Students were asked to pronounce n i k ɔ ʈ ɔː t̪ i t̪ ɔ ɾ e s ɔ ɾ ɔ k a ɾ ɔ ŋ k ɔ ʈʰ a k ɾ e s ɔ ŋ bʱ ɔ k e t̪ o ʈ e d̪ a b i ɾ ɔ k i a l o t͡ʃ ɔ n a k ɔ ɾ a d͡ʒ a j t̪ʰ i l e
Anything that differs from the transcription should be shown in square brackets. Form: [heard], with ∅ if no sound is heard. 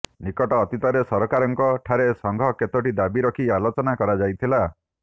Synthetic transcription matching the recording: n i k ɔ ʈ ɔː t̪ i t̪ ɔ ɾ e s ɔ ɾ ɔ k a ɾ ɔ ŋ k ɔ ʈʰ a [∅] ɾ e s ɔ ŋ [ɡʱ] ɔ k e t̪ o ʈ [i] d̪ a b i ɾ ɔ [kʰ] i a l o t͡ʃ ɔ n a k ɔ ɾ a d͡ʒ a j t̪ʰ i l [a]